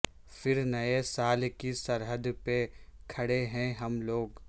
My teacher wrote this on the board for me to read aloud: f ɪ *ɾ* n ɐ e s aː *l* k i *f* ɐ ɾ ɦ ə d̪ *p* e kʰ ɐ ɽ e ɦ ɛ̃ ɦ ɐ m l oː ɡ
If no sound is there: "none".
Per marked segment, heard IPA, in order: ɾ, l, s, p

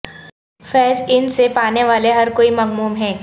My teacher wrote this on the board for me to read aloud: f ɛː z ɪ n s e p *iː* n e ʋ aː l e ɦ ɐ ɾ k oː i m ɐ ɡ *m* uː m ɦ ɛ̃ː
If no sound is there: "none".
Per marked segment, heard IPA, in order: aː, m

